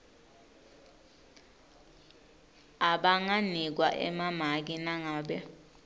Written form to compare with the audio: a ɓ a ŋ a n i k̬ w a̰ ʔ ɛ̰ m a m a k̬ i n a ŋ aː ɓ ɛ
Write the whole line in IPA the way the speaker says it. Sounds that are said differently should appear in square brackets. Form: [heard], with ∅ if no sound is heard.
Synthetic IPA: a ɓ a ŋ a n i k̬ w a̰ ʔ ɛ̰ m a m a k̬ i n a ŋ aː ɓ ɛ

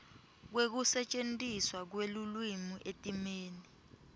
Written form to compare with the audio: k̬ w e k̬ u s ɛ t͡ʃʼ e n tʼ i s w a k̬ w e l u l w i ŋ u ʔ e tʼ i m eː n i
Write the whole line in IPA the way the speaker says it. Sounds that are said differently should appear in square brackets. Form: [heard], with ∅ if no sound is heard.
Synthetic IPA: k̬ w e k̬ u s ɛ t͡ʃʼ e n tʼ i s w a k̬ w e l u l w i [m] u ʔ e tʼ i m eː n i

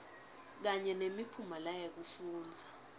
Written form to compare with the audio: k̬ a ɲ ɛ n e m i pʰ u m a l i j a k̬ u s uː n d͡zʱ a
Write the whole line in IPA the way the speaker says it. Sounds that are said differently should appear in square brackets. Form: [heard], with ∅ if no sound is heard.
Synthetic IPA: k̬ a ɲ ɛ n e m i pʰ u m a l [a] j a k̬ u [f] uː n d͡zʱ a

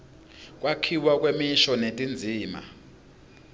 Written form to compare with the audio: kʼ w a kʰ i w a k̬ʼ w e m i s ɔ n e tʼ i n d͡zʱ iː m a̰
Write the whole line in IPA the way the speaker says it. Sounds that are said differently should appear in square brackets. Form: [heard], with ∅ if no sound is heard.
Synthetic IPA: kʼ w a kʰ i w a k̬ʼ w e m i [ʃ] ɔ n e tʼ i n d͡zʱ iː m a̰

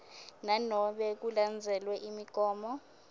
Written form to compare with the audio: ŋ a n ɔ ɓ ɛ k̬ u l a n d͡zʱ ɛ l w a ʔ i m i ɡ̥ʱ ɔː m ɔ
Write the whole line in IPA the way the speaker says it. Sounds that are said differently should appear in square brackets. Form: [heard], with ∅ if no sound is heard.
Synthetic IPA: [n] a n ɔ ɓ ɛ k̬ u l a n d͡zʱ ɛ l w [ɛ] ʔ i m i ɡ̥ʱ ɔː m ɔ

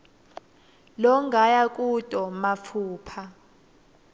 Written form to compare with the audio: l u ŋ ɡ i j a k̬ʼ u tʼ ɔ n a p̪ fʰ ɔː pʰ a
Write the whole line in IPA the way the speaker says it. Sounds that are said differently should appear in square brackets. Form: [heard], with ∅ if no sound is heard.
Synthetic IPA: l [ɔ] ŋ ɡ [a] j a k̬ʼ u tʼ ɔ [m] a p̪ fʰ [uː] pʰ a

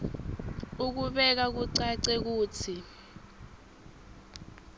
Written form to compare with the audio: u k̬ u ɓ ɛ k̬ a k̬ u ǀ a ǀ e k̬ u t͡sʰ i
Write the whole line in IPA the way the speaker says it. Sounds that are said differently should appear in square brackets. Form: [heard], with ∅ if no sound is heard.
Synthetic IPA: u k̬ u ɓ ɛ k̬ a k̬ u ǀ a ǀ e k̬ [uː] t͡sʰ i

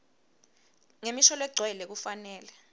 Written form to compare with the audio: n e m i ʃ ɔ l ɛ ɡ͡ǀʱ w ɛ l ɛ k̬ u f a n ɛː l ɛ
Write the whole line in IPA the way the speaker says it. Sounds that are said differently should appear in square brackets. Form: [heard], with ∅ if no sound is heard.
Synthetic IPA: [ŋ] e m i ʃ ɔ l ɛ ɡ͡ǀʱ w ɛ l ɛ k̬ u f a n ɛː l ɛ

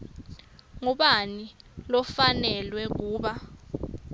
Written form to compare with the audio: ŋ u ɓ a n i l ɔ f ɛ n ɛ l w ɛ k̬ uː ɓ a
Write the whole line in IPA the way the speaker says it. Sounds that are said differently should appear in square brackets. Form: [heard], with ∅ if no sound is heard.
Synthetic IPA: ŋ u ɓ a n i l ɔ f [a] n ɛ l w ɛ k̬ uː ɓ a

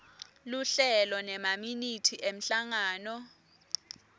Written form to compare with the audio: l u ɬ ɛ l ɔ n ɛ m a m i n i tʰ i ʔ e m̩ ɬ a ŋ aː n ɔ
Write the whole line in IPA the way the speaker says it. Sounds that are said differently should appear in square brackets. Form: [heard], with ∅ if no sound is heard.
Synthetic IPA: l u ɬ ɛ l ɔ n ɛ m a m i n i tʰ i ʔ e m̩ ɬ a ŋ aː n ɔ

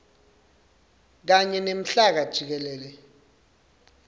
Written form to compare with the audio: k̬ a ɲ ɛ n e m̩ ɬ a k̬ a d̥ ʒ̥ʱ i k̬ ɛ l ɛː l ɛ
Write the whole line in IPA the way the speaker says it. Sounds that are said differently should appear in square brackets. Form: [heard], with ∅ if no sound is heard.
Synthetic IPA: k̬ a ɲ ɛ n e m̩ ɬ a k̬ a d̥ ʒ̥ʱ i k̬ ɛ l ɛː l ɛ

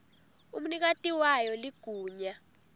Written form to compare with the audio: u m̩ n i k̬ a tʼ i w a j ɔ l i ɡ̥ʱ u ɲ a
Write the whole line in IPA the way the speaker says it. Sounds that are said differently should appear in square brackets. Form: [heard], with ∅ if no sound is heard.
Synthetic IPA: u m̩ n i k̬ a tʼ i w a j ɔ l i ɡ̥ʱ [uː] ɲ a

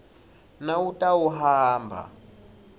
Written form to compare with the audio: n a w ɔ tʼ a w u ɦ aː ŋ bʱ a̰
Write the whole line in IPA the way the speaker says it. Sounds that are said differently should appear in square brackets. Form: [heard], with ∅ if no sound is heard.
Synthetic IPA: n a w [u] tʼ a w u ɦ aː [m] bʱ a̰

